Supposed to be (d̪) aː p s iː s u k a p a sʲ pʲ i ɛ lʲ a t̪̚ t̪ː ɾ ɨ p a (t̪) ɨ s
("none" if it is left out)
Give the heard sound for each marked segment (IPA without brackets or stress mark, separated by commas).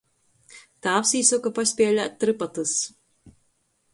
t̪, t̪